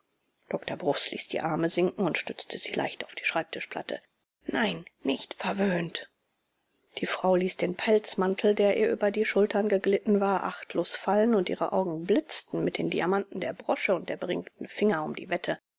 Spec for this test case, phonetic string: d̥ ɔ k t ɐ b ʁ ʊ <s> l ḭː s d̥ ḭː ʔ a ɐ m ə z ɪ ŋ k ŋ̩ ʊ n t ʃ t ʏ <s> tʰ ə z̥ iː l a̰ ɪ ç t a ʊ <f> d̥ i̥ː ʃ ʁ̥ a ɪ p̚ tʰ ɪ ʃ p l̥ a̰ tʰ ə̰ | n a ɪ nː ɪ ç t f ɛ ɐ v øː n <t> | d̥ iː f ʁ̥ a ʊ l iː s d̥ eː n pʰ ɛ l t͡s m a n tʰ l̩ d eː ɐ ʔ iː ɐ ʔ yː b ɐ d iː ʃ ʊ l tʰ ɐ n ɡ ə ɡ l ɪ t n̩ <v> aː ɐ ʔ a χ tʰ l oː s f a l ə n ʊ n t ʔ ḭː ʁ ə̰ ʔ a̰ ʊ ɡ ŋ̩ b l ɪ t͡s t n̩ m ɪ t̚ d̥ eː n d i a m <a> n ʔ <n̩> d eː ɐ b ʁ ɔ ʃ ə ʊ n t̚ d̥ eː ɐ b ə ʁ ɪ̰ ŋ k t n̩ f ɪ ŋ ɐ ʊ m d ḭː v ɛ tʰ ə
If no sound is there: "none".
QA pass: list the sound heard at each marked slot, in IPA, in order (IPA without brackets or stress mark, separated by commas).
s, t͡s, f, t, v, a, n̩